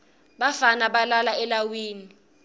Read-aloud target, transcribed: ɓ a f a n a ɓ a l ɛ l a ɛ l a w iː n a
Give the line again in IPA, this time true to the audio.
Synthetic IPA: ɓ a f a n a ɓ a l a l a ɛ l a w iː n i